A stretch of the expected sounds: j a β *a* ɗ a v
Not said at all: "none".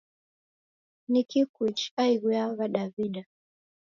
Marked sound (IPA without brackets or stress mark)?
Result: a